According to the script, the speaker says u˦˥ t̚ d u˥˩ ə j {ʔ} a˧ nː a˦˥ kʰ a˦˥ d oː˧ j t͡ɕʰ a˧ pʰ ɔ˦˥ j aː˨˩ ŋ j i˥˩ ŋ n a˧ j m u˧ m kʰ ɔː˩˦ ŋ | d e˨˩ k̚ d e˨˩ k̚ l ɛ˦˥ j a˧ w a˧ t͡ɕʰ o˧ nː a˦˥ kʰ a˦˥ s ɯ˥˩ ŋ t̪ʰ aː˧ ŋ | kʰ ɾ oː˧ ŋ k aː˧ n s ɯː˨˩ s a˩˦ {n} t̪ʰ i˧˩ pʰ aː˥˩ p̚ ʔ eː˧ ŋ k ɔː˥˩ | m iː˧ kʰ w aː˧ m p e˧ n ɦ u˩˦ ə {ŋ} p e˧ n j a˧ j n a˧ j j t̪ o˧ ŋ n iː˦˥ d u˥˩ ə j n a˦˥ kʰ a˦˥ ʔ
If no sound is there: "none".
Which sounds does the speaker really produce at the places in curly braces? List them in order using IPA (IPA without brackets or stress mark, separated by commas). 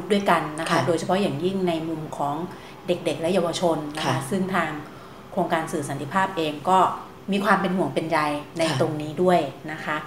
k, n, ŋ